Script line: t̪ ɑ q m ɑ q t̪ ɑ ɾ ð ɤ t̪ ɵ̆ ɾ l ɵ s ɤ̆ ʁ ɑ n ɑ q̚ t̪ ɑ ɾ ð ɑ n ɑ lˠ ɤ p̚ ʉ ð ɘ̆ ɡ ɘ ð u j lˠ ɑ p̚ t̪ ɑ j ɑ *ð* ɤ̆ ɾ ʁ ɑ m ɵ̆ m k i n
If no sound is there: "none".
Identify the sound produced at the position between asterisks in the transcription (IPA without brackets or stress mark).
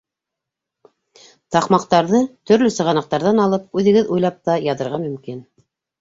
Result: ð